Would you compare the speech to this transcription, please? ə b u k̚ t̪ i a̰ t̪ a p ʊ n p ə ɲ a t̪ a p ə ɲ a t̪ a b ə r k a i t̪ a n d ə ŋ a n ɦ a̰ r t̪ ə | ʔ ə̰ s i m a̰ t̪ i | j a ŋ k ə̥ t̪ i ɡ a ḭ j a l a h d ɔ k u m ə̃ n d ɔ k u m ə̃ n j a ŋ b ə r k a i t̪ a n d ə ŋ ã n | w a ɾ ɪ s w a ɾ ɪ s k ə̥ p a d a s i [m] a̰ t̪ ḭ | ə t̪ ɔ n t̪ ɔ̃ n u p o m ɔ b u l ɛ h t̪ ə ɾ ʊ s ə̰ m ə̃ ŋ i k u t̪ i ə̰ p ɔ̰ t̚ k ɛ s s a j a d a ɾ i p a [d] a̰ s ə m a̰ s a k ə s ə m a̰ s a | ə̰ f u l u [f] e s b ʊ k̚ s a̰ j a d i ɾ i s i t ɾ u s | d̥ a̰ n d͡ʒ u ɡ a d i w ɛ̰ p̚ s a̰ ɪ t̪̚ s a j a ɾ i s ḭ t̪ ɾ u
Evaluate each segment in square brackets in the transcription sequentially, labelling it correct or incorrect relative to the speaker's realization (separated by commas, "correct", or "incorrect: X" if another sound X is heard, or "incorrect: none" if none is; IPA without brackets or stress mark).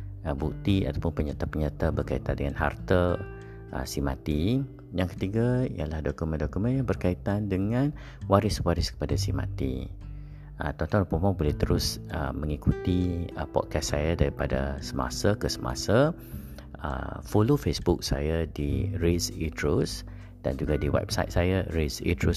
correct, correct, correct